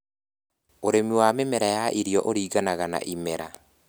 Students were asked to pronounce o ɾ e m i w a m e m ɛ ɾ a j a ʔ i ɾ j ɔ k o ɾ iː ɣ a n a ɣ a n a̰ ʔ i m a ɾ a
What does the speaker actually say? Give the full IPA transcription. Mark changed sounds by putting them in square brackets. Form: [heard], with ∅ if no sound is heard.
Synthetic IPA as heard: o ɾ e m i w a m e m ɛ ɾ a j a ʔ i ɾ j ɔ [ʔ] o ɾ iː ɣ a n a ɣ a n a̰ ʔ i m [ɛ] ɾ a